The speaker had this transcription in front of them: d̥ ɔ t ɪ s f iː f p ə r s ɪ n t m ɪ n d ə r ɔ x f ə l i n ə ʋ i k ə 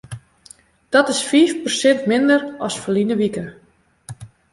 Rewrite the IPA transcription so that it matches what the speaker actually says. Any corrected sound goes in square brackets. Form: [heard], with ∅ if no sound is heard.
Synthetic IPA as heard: d̥ ɔ t ɪ s f iː f p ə r s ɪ n t m ɪ n d ə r ɔ [s] f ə l i n ə ʋ i k ə